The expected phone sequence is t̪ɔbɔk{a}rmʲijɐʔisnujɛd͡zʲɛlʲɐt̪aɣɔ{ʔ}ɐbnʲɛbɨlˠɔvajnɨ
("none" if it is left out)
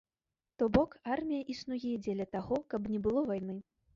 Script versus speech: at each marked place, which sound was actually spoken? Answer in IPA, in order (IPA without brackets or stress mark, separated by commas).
a, k